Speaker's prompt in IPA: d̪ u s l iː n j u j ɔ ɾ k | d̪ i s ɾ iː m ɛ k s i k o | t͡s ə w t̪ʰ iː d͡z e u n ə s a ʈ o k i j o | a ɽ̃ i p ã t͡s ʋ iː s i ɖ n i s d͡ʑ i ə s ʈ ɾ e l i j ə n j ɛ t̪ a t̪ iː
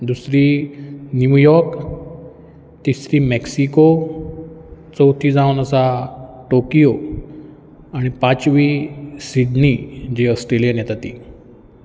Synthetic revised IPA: d̪ u s ɾ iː n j u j ɔ ɾ k | t̪ i s ɾ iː m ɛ k s i k o | t͡s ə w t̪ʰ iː d͡z a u n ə s a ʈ o k i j o | a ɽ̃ i p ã t͡s ʋ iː s i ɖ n i d͡ʑ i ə s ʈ ɾ e l i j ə n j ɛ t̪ a t̪ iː

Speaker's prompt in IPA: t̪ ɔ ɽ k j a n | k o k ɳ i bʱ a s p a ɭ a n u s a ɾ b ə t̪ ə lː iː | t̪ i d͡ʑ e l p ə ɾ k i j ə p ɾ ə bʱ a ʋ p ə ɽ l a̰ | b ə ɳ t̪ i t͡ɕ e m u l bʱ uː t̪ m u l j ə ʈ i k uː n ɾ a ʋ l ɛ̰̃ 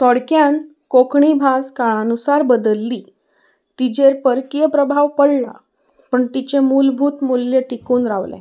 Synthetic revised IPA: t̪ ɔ ɽ k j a n | k o k ɳ i bʱ a s k a ɭ a n u s a ɾ b ə d̪ ə lː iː | t̪ i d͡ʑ e ɾ p ə ɾ k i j ə p ɾ ə bʱ a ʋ p ə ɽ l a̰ | p ə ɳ t̪ i t͡ɕ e m u l bʱ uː t̪ m u l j ə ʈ i k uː n ɾ a ʋ l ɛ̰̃

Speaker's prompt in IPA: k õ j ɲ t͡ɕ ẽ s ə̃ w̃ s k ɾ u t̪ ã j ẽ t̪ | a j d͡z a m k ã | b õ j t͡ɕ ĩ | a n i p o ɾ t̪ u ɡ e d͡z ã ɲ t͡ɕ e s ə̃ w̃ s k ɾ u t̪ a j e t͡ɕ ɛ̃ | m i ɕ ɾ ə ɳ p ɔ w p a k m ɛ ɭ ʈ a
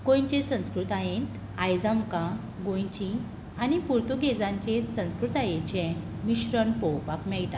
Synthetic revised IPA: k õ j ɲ t͡ɕ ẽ s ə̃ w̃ s k ɾ u t̪ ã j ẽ t̪ | a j d͡z a m k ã | ɡ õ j t͡ɕ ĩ | a n i p u ɾ t̪ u ɡ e d͡z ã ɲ t͡ɕ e s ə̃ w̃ s k ɾ u t̪ a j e t͡ɕ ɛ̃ | m i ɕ ɾ ə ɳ p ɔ w p a k m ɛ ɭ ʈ a

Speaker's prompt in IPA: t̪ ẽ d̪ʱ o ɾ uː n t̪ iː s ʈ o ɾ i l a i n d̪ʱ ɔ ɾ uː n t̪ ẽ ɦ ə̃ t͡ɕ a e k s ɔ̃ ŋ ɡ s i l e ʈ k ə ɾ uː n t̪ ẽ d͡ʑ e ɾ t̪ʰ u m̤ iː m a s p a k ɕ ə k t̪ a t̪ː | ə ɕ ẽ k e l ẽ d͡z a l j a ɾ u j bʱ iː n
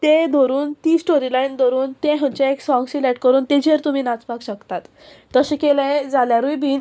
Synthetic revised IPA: t̪ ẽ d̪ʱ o ɾ uː n t̪ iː s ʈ o ɾ i l a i n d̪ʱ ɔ ɾ uː n t̪ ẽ ɦ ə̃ t͡ɕ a e k s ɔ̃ ŋ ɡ s i l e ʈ k ə ɾ uː n t̪ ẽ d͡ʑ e ɾ t̪ u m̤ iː n a t͡s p a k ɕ ə k t̪ a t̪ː | ə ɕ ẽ k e l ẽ d͡z a l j a ɾ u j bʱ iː n

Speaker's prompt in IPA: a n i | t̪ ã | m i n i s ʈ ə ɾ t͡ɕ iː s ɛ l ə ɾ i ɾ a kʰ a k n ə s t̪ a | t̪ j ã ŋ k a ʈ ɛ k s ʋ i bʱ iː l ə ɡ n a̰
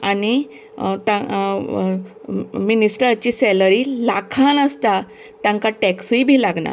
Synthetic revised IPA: a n i | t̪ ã | m i n i s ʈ ə ɾ t͡ɕ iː s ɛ l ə ɾ i l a kʰ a n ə s t̪ a | t̪ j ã ŋ k a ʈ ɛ k s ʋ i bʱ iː l a ɡ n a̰

